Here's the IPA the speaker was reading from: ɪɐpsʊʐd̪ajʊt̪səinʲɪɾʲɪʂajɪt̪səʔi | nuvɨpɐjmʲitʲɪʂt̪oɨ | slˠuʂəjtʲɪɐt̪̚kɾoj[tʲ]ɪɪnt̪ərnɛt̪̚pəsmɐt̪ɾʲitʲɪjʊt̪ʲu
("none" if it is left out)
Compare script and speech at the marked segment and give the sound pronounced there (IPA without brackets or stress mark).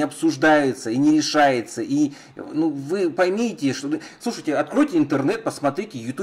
tʲ